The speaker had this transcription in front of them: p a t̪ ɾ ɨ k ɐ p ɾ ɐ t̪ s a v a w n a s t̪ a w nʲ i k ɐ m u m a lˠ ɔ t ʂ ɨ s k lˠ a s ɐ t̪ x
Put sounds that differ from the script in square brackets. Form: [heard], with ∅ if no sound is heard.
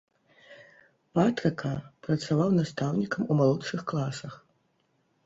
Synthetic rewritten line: p a t̪ ɾ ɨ k ɐ p ɾ ɐ t̪ s a v a w n a s t̪ a w nʲ i k ɐ m u m a lˠ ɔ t ʂ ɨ [x] k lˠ a s ɐ [∅] x